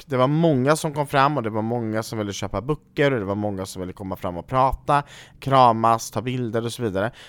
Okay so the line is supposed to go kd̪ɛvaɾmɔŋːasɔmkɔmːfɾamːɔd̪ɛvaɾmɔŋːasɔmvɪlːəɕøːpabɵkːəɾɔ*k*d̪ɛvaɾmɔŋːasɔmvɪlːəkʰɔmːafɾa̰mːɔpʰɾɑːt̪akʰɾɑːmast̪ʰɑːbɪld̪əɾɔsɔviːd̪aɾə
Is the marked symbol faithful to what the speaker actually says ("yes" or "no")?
no